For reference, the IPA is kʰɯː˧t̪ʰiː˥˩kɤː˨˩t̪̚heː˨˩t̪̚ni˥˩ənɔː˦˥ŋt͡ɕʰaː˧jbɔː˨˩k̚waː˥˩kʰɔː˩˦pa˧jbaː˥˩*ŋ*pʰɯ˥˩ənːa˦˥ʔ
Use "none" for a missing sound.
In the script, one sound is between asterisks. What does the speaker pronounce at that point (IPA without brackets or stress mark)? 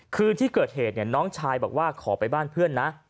n